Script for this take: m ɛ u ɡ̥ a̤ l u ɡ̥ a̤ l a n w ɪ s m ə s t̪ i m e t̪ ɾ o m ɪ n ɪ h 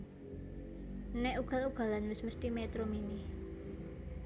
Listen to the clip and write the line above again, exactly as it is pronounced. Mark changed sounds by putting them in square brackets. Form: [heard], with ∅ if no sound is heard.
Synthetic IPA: [n] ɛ u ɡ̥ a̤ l u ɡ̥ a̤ l a n w ɪ s m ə s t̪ i m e t̪ ɾ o m [i] n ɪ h